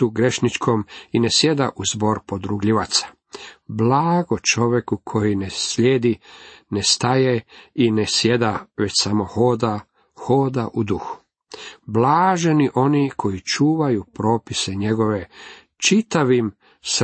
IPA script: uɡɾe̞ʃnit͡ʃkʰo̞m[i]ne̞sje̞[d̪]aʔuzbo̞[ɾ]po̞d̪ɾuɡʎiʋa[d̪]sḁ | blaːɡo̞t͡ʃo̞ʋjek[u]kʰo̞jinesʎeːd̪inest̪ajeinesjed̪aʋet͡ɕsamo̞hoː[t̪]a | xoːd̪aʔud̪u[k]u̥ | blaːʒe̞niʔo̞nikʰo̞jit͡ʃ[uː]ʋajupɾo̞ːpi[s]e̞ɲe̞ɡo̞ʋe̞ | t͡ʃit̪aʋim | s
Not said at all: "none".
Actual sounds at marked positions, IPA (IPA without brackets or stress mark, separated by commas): i, d̪, ɾ, t̪, u, d̪, x, uː, s